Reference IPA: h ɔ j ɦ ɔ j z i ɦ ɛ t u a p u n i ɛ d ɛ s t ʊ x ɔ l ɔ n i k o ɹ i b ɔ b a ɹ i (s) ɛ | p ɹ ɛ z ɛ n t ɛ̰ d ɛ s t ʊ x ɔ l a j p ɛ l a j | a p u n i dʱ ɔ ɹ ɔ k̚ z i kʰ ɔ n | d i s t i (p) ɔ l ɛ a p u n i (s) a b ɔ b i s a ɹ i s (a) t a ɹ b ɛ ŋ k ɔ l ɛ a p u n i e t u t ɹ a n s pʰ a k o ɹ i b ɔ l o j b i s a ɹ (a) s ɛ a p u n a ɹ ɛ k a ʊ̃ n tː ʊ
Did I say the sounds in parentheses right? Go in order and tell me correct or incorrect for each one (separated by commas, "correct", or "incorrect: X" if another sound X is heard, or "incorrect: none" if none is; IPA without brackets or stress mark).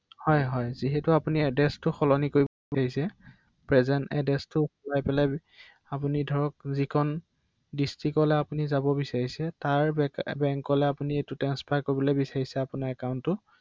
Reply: correct, incorrect: k, incorrect: z, incorrect: ɛ, incorrect: i